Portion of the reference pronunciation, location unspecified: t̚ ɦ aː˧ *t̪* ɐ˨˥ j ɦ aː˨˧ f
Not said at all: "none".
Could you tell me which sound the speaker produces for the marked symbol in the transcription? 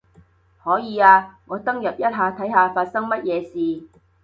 t̪ʰ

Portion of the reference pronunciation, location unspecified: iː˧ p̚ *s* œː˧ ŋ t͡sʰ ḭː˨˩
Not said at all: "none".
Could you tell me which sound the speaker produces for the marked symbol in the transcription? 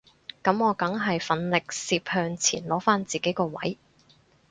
h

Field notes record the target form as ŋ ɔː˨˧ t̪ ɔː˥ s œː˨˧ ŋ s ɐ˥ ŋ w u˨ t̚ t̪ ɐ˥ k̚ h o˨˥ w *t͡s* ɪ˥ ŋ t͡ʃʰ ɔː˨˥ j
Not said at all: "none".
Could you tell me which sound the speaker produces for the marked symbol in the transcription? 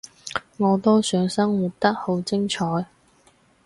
t͡s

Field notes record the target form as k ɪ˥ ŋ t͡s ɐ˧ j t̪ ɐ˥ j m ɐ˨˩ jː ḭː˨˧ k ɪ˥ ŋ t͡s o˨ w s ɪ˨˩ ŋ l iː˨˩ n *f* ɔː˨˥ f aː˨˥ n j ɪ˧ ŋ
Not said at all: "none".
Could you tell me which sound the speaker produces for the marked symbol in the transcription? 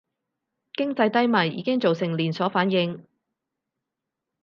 s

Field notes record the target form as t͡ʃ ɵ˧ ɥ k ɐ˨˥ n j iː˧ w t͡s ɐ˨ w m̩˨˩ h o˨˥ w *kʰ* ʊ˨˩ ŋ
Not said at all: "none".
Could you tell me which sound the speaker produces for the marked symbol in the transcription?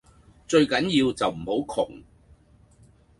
kʰ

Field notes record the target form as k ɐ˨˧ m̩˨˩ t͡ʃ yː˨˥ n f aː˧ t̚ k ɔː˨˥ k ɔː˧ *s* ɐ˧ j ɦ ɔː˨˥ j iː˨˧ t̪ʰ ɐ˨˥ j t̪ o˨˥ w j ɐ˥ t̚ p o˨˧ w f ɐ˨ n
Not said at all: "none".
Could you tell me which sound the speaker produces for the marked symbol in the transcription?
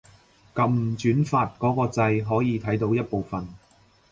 t͡s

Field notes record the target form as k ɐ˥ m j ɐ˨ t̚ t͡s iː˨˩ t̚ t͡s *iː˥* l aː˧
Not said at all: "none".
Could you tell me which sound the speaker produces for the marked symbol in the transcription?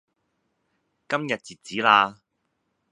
iː˨˥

